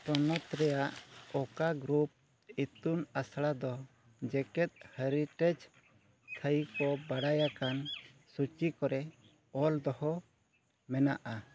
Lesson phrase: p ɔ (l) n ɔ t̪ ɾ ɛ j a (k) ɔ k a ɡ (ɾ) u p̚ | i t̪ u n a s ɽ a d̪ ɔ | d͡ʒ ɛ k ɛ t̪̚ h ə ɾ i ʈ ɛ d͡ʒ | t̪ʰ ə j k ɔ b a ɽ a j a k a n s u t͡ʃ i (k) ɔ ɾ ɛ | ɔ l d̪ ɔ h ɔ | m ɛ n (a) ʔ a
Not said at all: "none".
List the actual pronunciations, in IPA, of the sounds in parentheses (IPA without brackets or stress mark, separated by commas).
none, ʔ, ɾ, k, a